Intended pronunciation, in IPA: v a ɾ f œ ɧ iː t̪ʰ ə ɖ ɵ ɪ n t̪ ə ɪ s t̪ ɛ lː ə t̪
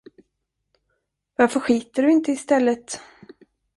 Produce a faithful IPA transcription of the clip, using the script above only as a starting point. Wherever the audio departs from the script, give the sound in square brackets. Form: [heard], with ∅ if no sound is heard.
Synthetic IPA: v a ɾ f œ ɧ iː [t̪] ə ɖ ɵ ɪ n t̪ ə ɪ s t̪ ɛ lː ə t̪